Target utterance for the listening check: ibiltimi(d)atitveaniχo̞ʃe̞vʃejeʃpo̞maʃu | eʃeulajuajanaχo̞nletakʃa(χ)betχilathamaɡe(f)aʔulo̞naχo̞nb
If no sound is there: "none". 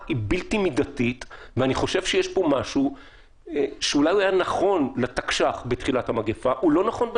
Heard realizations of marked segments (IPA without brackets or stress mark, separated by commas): d, χ, f